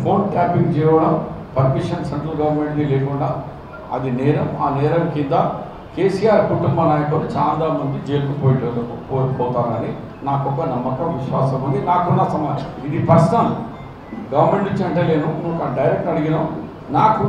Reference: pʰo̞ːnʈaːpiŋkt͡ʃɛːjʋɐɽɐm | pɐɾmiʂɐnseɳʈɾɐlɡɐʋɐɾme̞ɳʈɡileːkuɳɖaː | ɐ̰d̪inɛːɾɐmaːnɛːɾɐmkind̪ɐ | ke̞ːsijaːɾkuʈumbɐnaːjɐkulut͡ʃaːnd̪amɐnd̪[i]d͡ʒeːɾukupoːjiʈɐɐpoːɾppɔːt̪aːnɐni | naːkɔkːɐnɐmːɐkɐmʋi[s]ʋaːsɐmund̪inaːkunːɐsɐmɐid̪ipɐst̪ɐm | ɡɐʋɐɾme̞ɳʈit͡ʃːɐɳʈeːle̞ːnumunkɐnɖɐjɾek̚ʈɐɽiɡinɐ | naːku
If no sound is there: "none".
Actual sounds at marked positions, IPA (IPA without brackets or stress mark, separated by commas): i, ʃ